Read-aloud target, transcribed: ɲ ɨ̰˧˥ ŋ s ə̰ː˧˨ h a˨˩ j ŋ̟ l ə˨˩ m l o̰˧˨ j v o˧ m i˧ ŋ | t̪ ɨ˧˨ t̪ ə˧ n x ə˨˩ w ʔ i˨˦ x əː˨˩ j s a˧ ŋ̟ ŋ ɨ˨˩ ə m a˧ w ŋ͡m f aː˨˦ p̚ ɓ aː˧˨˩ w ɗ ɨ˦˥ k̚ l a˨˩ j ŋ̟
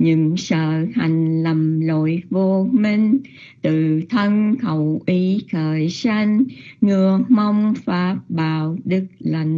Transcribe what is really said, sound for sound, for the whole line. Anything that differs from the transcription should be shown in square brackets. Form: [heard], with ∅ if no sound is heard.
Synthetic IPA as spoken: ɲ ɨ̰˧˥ ŋ s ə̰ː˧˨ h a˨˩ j ŋ̟ l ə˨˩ m l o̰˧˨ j v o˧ m i˧ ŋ | t̪ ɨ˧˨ [t̪ʰ] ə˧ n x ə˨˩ w ʔ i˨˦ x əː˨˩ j s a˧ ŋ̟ ŋ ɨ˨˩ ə m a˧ w ŋ͡m f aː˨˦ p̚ ɓ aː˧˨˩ w ɗ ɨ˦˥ k̚ l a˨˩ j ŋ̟